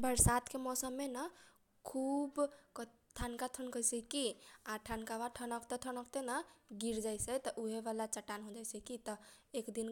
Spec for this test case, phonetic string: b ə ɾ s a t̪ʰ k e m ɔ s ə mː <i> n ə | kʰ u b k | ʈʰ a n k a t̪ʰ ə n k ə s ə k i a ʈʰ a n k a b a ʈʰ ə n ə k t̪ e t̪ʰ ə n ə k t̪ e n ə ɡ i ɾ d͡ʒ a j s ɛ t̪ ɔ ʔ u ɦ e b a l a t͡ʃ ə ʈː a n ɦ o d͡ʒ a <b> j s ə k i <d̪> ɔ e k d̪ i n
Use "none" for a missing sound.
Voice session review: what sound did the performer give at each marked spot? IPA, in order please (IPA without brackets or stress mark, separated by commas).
e, none, t̪